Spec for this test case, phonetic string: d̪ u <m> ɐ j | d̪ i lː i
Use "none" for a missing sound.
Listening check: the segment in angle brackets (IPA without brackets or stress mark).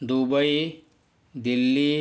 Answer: b